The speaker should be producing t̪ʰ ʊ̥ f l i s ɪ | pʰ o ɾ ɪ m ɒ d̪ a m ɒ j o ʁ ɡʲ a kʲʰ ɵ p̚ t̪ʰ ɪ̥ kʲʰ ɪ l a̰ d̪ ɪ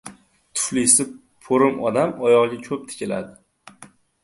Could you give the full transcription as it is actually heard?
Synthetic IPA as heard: t̪ʰ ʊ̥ f l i s ɪ | pʰ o ɾ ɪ m ɒ d̪ a m ɒ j ɒ ʁ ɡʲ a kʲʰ ɵ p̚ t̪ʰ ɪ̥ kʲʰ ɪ l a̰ d̪ ɪ